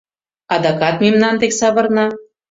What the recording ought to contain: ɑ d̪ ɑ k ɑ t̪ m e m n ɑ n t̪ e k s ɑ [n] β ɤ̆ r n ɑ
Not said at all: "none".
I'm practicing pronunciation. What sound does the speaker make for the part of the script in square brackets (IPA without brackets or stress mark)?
none